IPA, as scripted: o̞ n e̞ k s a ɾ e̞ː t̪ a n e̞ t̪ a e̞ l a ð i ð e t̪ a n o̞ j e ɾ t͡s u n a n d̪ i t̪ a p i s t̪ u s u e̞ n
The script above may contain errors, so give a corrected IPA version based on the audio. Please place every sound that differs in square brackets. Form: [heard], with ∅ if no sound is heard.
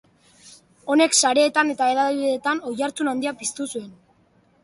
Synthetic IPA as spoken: o̞ n e̞ k s a ɾ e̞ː t̪ a n e̞ t̪ a e̞ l a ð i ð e t̪ a n o̞ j [a] ɾ t͡s u n a n d̪ i [∅] a p i s t̪ u s u e̞ n

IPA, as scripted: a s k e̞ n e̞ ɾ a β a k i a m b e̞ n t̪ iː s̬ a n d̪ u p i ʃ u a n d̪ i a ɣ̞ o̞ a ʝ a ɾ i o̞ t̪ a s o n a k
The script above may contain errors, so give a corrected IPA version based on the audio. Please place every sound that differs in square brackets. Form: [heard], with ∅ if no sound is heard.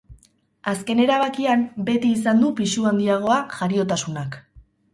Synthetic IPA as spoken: a s k e̞ n e̞ ɾ a β a k i a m b e̞ [∅] t̪ iː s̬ a n d̪ u p i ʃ u a n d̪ i a ɣ̞ o̞ a ʝ a ɾ i o̞ t̪ a s [u] n a k

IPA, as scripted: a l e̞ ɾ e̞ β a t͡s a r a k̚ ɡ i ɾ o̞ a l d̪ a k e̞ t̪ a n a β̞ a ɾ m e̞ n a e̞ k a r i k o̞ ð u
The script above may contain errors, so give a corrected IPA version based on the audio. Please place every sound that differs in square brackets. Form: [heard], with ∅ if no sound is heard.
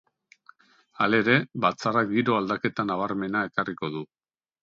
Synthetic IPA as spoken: a l e̞ ɾ e̞ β a t͡s a r a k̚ ɡ i ɾ o̞ a l d̪ a k e̞ t̪ a n a β̞ a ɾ m e̞ n a e̞ k a r i k o̞ ð u

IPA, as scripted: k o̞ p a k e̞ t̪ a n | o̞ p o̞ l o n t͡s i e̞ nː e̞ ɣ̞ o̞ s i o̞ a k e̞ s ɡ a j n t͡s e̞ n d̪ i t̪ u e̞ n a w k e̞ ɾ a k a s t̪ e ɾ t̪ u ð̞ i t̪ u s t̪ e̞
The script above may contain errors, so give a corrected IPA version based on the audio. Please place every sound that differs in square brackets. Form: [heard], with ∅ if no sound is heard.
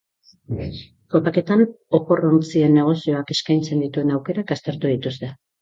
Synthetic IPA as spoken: k o̞ p a k e̞ t̪ a n | o̞ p o̞ [r] o n t͡s i e̞ nː e̞ ɣ̞ o̞ s i o̞ a k e̞ s [k] a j n t͡s e̞ n d̪ i t̪ u e̞ n a w k e̞ ɾ a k a s t̪ e ɾ t̪ u ð̞ i t̪ u s t̪ e̞

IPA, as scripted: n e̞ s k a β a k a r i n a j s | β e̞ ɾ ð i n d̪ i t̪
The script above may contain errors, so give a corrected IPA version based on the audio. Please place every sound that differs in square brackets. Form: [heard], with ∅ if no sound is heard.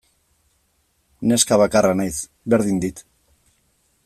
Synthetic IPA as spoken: n e̞ s k a β a k a r [a] n a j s | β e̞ ɾ ð i n d̪ i t̪

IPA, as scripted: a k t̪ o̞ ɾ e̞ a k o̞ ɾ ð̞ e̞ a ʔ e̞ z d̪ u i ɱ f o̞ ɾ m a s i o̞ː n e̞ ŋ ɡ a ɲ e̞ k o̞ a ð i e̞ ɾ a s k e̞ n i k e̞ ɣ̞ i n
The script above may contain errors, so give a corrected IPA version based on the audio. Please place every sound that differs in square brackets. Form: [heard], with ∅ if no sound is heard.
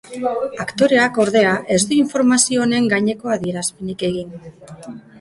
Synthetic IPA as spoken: a k t̪ o̞ ɾ e̞ a k o̞ ɾ ð̞ e̞ a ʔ e̞ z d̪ u i ɱ f o̞ ɾ m a s i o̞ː n e̞ ŋ ɡ a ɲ e̞ k o̞ a ð i e̞ ɾ a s [p] e̞ n i k e̞ ɣ̞ i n

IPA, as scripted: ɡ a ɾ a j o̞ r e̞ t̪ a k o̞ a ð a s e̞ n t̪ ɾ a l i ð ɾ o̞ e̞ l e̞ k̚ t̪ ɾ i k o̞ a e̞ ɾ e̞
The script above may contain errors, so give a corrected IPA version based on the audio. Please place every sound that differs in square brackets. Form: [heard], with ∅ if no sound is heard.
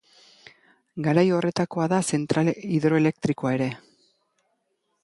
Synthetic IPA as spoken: ɡ a ɾ a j o̞ r e̞ t̪ a k o̞ a ð a s e̞ n t̪ ɾ a l i ð ɾ o̞ e̞ l e̞ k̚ t̪ ɾ i k o̞ a e̞ ɾ e̞

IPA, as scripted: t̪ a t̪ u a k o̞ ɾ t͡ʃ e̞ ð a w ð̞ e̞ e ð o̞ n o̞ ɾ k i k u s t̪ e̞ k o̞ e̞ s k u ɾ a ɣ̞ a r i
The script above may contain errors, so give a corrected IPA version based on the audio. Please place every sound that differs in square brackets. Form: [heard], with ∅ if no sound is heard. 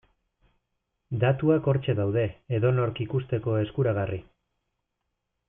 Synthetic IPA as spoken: [d̪] a t̪ u a k o̞ ɾ t͡ʃ e̞ ð a w ð̞ e̞ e ð o̞ n o̞ ɾ k i k u s t̪ e̞ k o̞ e̞ s k u ɾ a ɣ̞ a r i

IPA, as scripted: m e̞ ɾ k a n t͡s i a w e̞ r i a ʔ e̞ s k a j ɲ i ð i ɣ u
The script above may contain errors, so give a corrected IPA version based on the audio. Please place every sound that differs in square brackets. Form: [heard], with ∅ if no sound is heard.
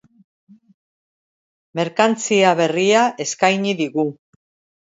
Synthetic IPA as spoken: m e̞ ɾ k a n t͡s i a [β] e̞ r i a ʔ e̞ s k a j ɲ i ð i ɣ u

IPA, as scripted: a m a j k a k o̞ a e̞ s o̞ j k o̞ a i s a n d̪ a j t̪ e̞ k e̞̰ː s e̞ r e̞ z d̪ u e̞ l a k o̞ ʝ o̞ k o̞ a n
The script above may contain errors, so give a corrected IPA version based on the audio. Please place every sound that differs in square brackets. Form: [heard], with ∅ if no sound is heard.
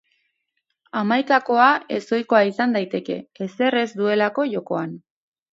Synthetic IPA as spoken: a m a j k a k o̞ a e̞ s o̞ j k o̞ a i s a n d̪ a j t̪ e̞ k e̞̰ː s e̞ r e̞ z d̪ u e̞ l a k o̞ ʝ o̞ k o̞ a n

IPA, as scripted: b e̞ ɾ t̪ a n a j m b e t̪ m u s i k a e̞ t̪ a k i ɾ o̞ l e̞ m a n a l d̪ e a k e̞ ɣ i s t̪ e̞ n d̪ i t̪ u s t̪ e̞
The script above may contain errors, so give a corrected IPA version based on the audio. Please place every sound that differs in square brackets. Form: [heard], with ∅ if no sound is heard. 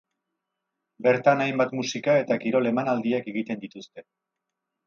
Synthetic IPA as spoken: b e̞ ɾ t̪ a n a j m b [a] t̪ m u s i k a e̞ t̪ a k i ɾ o̞ l e̞ m a n a l d̪ [i] a k e̞ ɣ i [∅] t̪ e̞ n d̪ i t̪ u s t̪ e̞

